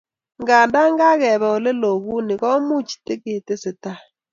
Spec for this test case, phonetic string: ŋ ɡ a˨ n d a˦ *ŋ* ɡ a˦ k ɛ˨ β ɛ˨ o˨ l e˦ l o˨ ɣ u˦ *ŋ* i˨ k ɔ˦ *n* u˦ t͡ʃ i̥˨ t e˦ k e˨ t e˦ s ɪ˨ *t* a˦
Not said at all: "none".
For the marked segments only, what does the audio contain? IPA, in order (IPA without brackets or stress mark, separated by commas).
ŋ, n, m, t